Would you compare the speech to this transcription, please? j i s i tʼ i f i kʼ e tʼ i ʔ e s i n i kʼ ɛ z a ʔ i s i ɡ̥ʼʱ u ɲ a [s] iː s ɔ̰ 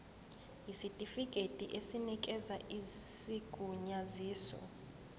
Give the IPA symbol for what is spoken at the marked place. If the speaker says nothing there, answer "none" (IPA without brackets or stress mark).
z